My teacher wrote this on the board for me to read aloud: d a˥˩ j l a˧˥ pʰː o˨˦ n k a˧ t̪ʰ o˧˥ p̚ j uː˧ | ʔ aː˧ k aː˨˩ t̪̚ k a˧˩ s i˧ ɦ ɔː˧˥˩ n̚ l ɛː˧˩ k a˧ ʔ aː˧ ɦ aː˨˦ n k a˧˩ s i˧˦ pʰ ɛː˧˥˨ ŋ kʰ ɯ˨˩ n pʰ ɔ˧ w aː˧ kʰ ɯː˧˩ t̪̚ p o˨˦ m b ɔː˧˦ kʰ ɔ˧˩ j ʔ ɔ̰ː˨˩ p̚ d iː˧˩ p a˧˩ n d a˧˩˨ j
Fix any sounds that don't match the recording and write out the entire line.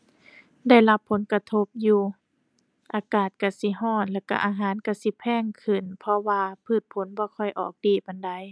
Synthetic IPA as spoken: d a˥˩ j l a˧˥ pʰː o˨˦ n k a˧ t̪ʰ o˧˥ p̚ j uː˧ | ʔ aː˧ k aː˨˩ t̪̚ k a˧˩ s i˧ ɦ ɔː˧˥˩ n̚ l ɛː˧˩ k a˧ ʔ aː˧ ɦ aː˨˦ n k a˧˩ s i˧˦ pʰ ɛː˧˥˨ ŋ kʰ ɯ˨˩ n pʰ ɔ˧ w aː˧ pʰ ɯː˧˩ t̪̚ pʰ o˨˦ n b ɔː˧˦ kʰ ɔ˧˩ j ʔ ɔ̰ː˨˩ k̚ d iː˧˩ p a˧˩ n d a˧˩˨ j